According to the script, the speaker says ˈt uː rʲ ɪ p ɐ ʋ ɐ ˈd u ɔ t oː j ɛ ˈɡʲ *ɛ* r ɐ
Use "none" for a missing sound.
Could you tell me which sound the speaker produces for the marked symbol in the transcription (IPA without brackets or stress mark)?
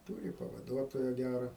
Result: æ